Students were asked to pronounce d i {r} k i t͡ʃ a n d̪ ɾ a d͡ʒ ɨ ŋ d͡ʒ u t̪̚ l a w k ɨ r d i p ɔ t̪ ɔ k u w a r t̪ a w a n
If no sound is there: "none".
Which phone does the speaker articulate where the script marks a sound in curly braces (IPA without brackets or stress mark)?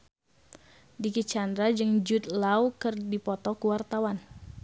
none